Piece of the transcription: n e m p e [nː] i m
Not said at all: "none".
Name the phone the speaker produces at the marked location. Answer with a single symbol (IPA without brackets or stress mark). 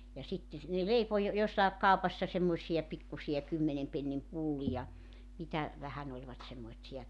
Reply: nː